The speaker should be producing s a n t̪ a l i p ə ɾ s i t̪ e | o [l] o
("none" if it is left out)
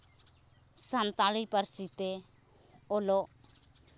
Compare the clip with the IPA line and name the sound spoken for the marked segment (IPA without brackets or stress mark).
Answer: l